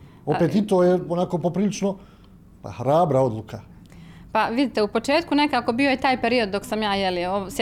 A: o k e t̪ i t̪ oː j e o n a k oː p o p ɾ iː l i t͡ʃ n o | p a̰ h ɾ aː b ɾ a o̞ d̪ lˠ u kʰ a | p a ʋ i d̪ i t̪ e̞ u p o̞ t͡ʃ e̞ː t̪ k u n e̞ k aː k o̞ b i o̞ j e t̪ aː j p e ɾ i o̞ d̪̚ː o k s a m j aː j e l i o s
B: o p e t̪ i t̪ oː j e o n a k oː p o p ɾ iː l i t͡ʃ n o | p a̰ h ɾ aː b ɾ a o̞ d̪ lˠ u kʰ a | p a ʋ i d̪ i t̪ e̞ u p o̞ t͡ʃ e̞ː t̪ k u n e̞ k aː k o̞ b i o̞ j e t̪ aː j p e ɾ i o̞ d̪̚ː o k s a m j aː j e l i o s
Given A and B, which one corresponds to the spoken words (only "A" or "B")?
B